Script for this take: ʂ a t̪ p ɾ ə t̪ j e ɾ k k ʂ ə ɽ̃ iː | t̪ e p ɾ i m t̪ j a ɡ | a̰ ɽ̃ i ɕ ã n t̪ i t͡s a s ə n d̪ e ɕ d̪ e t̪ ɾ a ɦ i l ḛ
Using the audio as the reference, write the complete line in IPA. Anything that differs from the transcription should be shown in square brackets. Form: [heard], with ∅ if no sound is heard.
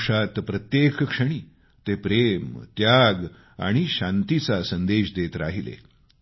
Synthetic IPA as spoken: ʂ a t̪ p ɾ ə t̪ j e [∅] k k ʂ ə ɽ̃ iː | t̪ e p ɾ [e] m t̪ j a ɡ | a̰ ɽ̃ i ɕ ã n t̪ i t͡s a s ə n d̪ e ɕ d̪ e t̪ ɾ a ɦ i l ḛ